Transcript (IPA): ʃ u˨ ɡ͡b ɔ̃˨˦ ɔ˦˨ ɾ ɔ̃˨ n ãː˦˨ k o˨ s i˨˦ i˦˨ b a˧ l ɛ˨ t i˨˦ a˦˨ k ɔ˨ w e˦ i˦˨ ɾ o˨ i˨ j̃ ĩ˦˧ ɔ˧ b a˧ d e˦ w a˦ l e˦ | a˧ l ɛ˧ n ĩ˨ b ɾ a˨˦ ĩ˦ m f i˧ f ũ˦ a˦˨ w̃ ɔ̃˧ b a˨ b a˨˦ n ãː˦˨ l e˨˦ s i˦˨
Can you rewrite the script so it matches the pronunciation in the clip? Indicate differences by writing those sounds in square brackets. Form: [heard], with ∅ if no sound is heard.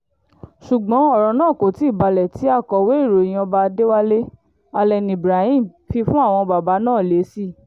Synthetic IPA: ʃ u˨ ɡ͡b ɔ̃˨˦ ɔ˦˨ ɾ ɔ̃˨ n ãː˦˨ k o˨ [t] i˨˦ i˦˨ b a˧ l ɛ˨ t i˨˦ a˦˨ k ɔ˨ w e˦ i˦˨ ɾ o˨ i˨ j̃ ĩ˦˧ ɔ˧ b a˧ d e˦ w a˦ l e˦ | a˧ l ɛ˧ n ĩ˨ b ɾ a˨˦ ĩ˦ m f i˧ f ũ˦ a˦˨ w̃ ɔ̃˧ b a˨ b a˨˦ n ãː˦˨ l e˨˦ s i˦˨